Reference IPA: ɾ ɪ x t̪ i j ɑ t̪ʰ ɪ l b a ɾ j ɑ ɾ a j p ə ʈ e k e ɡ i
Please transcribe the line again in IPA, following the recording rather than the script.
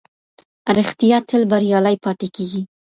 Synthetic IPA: ɾ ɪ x t̪ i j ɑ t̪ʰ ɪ l b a ɾ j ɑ l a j p ɑ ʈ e k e ɡ i